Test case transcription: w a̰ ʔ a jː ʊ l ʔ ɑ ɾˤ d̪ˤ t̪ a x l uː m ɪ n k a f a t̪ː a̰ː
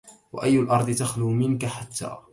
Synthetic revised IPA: w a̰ ʔ a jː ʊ l ʔ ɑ ɾˤ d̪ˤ t̪ a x l uː m ɪ n k a ħ a t̪ː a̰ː